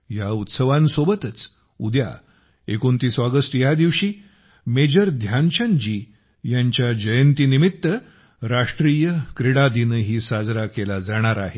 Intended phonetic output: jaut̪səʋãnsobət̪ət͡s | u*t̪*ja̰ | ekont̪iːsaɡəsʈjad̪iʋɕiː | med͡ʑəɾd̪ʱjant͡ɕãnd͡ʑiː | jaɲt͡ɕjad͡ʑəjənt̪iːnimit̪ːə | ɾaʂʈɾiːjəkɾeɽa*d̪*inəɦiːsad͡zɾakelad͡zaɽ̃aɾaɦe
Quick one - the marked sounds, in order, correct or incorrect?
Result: incorrect: d̪, correct

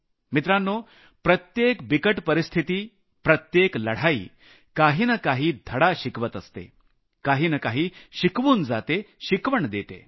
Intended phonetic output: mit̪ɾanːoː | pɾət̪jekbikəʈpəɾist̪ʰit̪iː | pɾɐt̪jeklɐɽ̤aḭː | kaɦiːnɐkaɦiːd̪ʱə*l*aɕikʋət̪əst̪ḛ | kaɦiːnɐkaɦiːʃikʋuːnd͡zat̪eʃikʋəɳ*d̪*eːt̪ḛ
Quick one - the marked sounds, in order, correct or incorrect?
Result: incorrect: ɽ, correct

